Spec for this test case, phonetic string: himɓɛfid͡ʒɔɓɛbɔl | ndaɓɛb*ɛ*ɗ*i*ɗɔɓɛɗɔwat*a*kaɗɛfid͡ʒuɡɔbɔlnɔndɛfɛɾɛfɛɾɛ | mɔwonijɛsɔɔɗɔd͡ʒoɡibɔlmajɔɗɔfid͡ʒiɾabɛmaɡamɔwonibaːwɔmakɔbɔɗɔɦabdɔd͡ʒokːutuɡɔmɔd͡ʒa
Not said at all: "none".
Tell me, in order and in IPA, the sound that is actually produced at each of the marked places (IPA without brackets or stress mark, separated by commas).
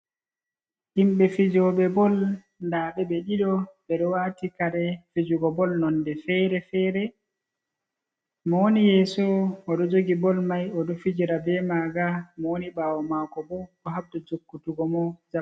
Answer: ɛ, i, i